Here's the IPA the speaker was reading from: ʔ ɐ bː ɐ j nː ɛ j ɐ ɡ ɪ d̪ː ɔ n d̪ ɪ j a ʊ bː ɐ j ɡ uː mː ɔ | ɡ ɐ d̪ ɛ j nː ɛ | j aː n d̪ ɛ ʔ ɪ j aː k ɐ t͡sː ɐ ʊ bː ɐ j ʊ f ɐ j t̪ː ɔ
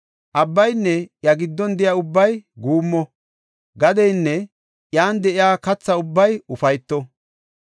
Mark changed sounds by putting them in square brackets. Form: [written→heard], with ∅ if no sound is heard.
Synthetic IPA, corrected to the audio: ʔ ɐ bː ɐ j nː ɛ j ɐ ɡ ɪ d̪ː ɔ n d̪ ɪ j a ʊ bː ɐ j ɡ uː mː ɔ | ɡ ɐ d̪ ɛ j nː ɛ | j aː n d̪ ɛ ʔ ɪ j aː k ɐ t͡sː ɐ ʊ bː ɐ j ʊ f ɐ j t̪ː ɔ